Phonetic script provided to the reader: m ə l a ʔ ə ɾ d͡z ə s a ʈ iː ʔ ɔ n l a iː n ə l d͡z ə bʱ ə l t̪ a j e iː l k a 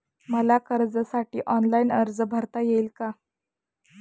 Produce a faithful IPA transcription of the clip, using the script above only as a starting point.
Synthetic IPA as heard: m ə l a k ə ɾ d͡z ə s a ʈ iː ʔ ɔ n l a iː n ə ɾ d͡z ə bʱ ə ɾ t̪ a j e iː l k a